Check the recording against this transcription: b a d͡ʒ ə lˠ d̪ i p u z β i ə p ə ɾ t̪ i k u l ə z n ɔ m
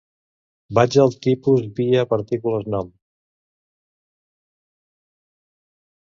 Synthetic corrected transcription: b a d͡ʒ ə lˠ t̪ i p u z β i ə p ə ɾ t̪ i k u l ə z n ɔ m